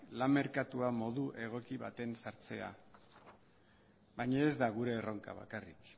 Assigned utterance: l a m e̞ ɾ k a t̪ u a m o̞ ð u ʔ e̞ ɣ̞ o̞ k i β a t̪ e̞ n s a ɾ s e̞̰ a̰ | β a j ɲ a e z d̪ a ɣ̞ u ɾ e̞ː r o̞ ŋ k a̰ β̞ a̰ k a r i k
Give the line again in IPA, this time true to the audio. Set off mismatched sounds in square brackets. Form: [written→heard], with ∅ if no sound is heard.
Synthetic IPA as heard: l a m e̞ ɾ k a t̪ u a m o̞ ð u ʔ e̞ ɣ̞ o̞ k i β a t̪ e̞ n s a ɾ [s→t͡s] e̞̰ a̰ | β a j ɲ a e z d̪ a ɣ̞ u ɾ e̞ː r o̞ ŋ k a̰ β̞ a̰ k a r i k